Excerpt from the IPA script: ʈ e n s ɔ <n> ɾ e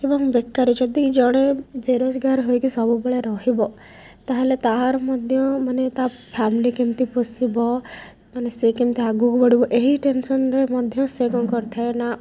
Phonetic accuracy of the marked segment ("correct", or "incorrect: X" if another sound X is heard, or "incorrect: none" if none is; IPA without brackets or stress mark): correct